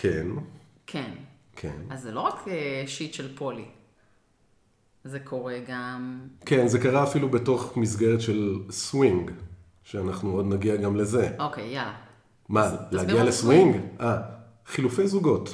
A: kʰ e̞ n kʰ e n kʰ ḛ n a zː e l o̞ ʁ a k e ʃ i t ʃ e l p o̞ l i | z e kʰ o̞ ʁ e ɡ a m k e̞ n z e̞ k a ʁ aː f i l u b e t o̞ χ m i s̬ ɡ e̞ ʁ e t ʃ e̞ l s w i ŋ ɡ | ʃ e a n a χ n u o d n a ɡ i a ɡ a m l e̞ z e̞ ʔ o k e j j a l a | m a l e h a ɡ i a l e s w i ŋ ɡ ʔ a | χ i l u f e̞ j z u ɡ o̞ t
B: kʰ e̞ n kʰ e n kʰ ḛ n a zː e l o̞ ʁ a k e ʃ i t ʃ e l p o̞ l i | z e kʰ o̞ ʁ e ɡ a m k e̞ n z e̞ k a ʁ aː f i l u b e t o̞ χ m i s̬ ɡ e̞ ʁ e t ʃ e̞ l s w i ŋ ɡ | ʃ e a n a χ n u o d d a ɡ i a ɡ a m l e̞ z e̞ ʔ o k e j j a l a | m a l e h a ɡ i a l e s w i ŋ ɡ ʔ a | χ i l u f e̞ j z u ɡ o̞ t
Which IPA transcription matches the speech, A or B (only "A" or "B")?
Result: A